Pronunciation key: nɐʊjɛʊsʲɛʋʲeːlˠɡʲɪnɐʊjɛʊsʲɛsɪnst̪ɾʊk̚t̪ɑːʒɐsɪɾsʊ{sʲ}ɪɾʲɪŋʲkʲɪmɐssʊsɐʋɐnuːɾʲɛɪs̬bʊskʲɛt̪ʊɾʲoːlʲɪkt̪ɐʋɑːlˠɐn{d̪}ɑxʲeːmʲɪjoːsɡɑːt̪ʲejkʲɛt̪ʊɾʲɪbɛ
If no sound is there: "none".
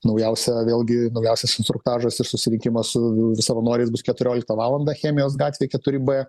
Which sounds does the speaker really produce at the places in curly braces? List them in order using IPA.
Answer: sʲ, d̪

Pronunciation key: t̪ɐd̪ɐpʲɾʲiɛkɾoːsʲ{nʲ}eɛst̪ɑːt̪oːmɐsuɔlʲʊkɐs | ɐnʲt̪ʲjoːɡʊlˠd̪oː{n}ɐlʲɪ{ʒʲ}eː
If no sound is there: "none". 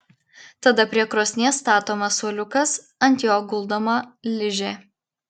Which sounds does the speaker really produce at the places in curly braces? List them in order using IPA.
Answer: nʲ, m, ʒʲ

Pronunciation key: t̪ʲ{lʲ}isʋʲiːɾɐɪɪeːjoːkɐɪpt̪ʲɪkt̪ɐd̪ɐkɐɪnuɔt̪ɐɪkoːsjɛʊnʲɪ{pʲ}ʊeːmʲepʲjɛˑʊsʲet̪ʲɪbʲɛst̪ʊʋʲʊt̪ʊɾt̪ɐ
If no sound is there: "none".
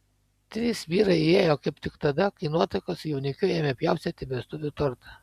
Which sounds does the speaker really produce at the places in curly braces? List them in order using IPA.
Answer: ɾʲ, kʲ

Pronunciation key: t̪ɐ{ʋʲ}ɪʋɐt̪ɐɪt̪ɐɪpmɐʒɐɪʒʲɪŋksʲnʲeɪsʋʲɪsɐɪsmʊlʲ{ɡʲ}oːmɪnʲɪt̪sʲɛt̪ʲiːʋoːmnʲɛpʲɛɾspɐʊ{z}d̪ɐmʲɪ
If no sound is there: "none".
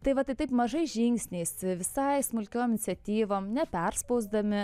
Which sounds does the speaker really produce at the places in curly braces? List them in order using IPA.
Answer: none, kʲ, z

